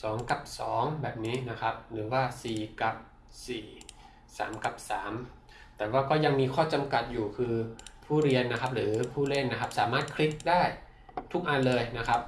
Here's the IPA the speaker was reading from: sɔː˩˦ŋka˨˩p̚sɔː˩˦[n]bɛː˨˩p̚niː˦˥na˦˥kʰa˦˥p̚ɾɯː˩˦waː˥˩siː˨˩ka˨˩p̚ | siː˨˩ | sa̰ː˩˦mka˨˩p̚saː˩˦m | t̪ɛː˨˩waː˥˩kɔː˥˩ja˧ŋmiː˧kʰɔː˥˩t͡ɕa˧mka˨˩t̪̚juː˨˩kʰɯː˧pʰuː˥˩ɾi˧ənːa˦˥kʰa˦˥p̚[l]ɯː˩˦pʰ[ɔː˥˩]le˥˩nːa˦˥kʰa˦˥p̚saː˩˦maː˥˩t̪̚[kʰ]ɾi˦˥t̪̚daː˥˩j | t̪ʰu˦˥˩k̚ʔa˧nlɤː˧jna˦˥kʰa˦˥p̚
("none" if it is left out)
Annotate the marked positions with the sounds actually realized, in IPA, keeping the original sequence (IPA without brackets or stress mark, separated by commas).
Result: ŋ, ɾ, uː˥˩, kʰ